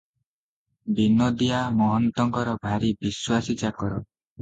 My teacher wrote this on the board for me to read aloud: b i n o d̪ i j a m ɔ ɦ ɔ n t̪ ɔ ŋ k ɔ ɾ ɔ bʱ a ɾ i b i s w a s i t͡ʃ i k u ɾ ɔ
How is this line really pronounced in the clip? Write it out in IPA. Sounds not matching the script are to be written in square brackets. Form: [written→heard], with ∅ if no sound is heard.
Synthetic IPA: b i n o d̪ i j a m ɔ ɦ ɔ n t̪ ɔ ŋ k ɔ ɾ ɔ bʱ a ɾ i b i s w a s i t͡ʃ [i→a] k [u→ɔ] ɾ ɔ